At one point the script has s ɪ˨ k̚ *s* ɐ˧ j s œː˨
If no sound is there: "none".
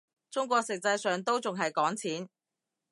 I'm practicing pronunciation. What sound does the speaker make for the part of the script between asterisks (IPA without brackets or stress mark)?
t͡s